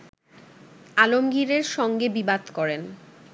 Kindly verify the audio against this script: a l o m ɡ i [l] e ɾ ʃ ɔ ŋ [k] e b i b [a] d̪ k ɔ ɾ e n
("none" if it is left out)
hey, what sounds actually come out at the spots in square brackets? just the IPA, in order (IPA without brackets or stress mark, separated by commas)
ɾ, ɡ, a